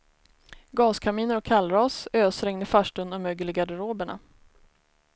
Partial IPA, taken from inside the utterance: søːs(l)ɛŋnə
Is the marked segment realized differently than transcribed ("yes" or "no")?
yes